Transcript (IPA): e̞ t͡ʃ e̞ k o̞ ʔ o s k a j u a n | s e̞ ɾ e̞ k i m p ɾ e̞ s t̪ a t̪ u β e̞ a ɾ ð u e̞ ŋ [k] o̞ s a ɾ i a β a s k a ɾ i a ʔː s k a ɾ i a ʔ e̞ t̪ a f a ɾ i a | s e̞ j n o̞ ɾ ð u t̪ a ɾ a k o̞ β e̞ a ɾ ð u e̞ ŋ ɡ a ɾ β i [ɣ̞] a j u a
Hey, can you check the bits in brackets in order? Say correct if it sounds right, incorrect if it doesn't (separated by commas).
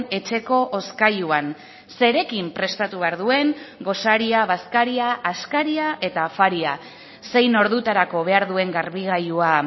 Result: incorrect, correct